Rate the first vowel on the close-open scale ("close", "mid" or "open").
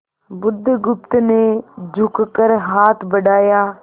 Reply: close